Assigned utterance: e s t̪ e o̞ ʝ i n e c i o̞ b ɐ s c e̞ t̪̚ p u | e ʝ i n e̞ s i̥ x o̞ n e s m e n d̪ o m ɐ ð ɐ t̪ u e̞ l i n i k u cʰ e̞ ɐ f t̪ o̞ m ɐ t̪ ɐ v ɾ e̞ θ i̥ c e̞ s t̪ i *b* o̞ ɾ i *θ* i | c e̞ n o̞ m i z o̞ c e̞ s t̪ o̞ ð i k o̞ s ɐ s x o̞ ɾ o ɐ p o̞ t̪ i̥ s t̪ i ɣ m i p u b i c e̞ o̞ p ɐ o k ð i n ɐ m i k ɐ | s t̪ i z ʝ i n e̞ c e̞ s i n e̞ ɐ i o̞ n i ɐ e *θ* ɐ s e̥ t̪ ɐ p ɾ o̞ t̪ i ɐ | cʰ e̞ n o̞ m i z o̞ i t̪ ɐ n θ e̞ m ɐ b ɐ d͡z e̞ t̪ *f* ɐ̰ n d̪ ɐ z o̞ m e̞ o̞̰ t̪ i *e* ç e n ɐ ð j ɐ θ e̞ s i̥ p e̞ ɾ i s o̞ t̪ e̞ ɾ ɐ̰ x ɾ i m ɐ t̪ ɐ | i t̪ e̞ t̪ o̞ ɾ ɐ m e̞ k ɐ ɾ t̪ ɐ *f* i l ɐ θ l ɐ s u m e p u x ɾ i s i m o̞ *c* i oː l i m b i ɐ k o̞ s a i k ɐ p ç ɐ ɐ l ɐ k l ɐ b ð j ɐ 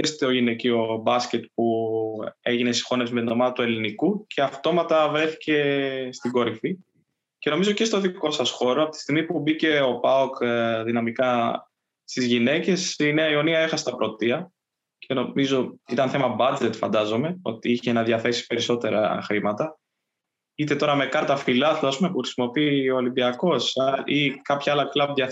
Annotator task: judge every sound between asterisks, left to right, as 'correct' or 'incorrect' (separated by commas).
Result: incorrect, incorrect, incorrect, correct, incorrect, correct, incorrect